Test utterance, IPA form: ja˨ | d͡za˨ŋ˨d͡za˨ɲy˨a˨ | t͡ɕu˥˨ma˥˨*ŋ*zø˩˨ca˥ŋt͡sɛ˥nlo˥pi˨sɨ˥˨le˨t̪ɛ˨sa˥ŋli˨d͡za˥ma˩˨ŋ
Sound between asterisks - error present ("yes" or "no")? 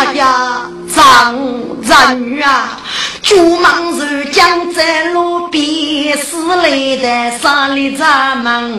no